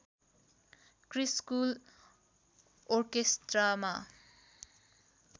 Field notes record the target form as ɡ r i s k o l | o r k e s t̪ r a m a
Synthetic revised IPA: k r i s k u l | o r k e s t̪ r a m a